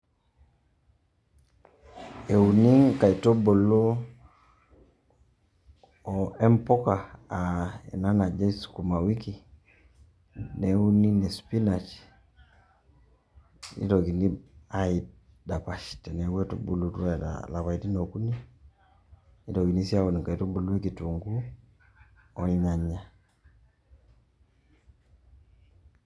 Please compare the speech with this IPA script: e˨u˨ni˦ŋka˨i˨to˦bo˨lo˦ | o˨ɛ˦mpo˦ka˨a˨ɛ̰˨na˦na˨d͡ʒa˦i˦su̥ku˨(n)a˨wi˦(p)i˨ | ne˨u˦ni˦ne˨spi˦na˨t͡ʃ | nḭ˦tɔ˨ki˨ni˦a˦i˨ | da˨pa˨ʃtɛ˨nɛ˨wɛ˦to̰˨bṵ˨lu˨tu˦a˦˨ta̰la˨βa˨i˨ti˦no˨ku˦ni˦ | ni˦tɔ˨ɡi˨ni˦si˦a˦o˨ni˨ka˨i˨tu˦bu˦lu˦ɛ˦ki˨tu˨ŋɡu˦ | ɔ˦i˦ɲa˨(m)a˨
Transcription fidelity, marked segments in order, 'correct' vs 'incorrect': incorrect, incorrect, incorrect

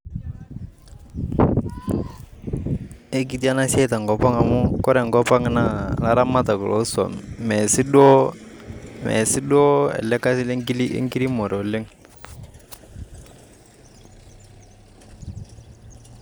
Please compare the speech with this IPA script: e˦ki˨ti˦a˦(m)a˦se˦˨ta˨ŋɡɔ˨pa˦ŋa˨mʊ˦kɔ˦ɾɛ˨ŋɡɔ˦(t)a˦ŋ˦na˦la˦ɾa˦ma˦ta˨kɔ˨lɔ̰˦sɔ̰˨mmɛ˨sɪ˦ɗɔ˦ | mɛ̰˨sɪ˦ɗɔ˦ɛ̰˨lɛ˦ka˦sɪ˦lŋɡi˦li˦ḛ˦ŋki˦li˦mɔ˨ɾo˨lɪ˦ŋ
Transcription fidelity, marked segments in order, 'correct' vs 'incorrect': incorrect, incorrect

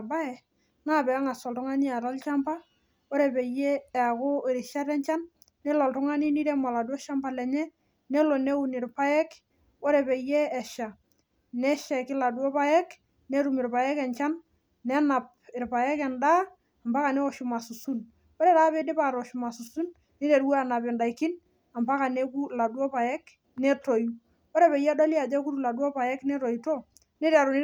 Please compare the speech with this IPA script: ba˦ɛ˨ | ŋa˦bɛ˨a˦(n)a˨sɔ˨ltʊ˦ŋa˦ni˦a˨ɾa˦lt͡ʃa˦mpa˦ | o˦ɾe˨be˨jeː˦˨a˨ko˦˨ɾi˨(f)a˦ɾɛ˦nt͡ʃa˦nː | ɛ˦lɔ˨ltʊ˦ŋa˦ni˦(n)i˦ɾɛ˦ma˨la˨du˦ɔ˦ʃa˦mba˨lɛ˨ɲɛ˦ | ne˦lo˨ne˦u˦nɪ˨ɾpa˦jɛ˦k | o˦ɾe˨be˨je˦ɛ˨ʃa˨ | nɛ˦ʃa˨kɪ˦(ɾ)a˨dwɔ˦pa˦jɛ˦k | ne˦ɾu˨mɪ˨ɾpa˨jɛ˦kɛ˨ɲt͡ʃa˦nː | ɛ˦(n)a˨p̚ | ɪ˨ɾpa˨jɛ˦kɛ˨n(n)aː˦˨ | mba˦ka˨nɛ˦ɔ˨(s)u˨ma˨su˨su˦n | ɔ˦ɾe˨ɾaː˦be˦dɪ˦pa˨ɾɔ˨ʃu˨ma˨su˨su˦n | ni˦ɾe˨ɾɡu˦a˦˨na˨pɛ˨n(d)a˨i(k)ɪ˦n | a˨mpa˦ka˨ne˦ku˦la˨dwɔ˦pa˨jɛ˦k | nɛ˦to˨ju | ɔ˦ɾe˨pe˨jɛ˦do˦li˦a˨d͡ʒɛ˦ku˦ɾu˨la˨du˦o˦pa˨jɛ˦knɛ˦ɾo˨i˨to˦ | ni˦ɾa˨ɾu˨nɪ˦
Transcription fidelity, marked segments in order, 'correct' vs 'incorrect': incorrect, incorrect, correct, incorrect, correct, incorrect, incorrect, correct, correct

